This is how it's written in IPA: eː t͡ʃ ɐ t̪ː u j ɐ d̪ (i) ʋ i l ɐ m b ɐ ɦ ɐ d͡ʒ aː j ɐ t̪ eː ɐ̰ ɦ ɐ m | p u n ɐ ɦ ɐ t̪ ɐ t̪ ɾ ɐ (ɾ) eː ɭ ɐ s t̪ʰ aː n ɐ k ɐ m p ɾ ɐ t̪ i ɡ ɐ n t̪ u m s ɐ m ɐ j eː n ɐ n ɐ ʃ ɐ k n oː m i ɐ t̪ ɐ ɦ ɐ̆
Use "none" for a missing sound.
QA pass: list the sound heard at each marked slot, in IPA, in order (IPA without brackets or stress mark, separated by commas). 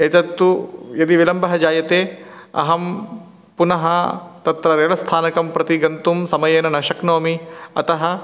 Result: i, ɾ